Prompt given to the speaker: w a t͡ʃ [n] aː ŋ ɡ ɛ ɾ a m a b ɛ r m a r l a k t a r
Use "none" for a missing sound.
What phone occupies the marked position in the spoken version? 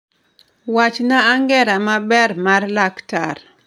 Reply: n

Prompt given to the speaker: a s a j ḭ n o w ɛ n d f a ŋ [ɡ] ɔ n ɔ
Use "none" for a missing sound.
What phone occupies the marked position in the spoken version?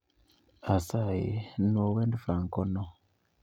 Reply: k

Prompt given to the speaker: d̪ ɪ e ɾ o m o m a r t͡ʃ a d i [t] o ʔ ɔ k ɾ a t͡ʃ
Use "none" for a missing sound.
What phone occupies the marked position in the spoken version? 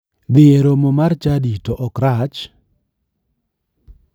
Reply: t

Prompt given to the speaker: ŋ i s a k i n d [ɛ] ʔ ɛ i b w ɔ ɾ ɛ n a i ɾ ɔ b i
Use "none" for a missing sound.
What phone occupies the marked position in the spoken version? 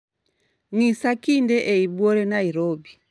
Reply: ɛ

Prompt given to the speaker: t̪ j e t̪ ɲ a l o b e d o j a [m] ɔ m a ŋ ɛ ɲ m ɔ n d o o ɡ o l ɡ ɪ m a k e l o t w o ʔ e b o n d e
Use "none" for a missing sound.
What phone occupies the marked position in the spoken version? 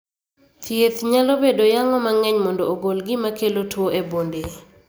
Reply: ŋ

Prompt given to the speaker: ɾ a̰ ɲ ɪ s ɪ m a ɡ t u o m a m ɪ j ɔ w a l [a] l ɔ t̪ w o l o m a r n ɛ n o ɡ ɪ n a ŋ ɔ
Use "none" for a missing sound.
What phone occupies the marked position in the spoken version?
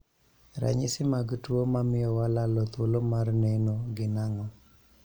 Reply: a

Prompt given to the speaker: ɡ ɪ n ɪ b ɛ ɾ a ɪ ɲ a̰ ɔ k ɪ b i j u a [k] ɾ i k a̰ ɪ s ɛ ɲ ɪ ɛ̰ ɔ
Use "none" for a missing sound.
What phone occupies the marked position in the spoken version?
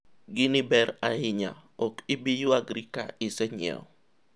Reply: ɡ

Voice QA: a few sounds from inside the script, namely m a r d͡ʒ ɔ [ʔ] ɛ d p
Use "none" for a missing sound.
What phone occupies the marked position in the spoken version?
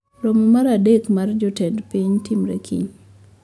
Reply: t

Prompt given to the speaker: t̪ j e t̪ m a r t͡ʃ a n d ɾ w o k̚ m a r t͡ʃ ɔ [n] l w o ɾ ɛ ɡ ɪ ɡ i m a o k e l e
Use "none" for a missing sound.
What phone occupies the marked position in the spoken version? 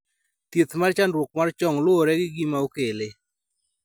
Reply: ŋ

